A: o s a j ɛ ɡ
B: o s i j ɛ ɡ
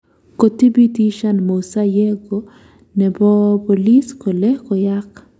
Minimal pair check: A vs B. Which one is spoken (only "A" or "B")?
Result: A